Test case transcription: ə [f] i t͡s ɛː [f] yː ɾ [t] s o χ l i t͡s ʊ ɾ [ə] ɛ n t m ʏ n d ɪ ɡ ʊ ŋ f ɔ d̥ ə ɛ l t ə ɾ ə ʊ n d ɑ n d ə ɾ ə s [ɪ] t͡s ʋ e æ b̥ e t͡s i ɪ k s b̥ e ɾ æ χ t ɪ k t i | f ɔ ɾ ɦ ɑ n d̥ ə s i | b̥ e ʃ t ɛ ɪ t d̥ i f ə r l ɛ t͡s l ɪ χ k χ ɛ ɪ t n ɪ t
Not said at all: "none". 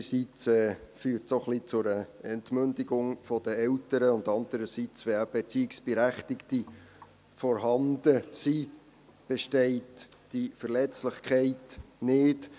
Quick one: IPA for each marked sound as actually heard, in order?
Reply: s, f, t, ə, i

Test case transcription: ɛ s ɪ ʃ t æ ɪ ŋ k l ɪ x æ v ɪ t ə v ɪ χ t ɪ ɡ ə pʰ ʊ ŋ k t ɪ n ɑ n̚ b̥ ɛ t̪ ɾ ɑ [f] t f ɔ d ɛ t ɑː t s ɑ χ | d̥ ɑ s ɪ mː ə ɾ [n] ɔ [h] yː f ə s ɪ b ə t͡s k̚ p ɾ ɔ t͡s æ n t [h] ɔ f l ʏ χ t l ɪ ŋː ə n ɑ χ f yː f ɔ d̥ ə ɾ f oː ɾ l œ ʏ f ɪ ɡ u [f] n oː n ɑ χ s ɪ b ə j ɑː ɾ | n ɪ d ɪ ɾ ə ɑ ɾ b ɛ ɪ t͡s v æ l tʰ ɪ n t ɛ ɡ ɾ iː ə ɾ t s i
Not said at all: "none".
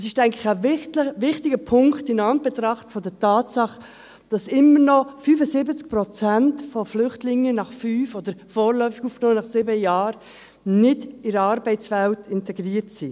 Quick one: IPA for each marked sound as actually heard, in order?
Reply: χ, n, f, f, f

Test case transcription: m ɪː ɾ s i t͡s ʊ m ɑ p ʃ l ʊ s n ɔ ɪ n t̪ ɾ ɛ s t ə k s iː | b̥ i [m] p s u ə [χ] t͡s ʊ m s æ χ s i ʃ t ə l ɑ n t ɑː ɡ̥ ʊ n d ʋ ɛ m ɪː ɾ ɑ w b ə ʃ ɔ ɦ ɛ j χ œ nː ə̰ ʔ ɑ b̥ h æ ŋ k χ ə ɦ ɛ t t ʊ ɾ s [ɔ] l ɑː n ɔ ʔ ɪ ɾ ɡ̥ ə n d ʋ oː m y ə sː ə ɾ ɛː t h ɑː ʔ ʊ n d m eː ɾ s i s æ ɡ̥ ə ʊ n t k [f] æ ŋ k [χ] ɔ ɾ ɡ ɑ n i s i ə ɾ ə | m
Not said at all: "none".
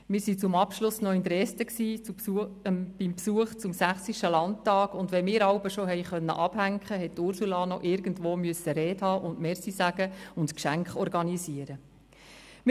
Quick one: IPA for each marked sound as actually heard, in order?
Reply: m, χ, u, ʃ, χ

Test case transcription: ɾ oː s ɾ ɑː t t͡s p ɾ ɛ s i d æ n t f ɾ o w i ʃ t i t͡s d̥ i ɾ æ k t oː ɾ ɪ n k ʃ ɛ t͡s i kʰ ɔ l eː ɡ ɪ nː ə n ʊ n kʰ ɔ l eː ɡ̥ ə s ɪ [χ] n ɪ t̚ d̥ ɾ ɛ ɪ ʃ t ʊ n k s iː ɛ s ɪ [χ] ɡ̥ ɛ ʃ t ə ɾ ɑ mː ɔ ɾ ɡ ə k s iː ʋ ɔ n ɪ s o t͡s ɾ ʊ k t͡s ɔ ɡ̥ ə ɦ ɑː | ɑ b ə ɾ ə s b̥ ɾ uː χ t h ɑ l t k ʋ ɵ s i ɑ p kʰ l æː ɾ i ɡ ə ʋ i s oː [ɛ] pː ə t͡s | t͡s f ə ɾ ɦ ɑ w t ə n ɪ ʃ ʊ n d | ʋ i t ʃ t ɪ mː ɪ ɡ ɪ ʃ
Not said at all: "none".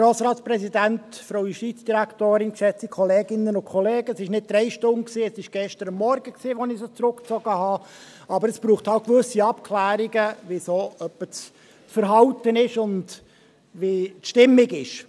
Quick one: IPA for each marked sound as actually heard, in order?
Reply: ʃ, ʃ, œ

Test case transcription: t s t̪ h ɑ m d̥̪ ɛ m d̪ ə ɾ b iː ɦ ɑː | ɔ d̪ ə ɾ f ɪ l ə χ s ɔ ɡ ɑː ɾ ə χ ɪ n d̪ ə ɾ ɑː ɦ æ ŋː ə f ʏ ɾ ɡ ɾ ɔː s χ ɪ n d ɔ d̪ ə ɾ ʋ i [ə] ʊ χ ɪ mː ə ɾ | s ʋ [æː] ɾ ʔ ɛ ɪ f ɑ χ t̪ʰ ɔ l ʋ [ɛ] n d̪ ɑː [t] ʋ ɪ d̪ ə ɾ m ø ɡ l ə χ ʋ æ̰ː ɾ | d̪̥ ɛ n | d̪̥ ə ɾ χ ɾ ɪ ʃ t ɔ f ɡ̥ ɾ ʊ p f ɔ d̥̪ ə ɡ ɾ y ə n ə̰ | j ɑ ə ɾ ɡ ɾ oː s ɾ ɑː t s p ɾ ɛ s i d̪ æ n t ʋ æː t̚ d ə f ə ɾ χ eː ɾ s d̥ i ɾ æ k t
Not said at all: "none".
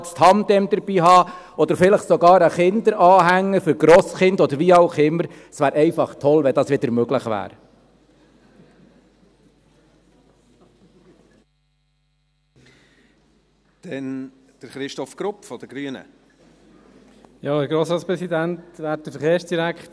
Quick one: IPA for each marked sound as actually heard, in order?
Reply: ɑ, æː, ɛ, s

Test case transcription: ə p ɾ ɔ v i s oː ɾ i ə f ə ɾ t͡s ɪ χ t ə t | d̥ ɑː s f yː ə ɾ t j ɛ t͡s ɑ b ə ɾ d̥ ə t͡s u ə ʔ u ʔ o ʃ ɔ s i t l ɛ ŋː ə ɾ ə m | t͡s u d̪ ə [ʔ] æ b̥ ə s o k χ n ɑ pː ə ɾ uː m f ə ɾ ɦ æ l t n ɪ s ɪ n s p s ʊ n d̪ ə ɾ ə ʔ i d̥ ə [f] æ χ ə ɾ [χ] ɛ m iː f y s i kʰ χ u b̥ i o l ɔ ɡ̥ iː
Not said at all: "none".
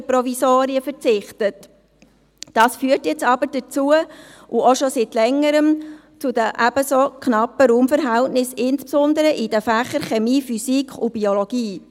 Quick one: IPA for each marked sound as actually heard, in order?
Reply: ʔ, f, χ

